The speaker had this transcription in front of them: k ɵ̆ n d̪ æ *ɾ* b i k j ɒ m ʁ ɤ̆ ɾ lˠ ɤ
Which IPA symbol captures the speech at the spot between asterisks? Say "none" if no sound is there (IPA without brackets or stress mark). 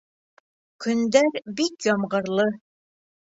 ɾ